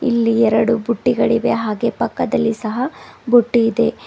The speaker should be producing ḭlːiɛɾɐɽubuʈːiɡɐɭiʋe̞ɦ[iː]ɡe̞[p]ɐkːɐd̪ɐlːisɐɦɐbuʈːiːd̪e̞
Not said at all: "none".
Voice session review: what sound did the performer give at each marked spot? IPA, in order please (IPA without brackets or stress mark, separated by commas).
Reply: aː, p